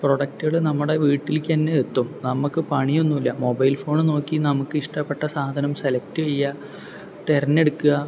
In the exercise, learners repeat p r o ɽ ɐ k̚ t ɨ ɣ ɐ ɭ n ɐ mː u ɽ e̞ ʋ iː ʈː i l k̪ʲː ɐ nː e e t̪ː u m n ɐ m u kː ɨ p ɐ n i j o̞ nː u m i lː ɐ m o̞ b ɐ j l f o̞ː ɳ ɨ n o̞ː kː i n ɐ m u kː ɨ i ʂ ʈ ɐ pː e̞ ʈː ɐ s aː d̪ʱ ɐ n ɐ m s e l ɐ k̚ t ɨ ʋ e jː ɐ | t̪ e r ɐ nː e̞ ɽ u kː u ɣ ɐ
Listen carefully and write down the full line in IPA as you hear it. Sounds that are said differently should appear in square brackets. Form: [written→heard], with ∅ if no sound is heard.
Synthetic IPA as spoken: p r o ɽ ɐ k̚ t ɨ ɣ ɐ ɭ n ɐ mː u ɽ e̞ ʋ iː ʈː i l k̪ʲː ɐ nː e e t̪ː u m n ɐ m u kː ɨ p ɐ [n→ɳ] i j o̞ nː u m i lː ɐ m o̞ b ɐ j l f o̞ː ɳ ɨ n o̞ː kː i n ɐ m u kː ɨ i ʂ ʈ ɐ pː e̞ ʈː ɐ s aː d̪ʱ ɐ n ɐ m s e l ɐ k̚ t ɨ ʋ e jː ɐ | t̪ e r ɐ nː e̞ ɽ u kː u ɣ ɐ